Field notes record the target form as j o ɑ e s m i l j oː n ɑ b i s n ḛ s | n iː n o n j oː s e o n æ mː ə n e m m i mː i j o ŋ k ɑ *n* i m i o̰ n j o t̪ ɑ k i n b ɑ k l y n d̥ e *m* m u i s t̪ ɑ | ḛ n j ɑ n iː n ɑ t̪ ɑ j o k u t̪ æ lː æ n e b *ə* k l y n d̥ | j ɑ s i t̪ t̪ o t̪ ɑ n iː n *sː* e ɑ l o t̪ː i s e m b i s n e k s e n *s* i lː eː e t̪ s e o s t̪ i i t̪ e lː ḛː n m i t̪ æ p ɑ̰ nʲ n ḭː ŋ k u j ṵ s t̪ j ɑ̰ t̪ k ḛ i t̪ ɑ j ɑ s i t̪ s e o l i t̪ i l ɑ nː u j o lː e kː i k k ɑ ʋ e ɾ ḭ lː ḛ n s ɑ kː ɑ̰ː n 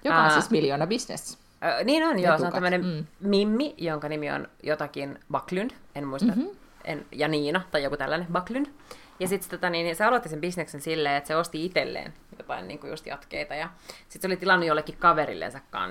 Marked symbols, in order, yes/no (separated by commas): yes, no, no, no, yes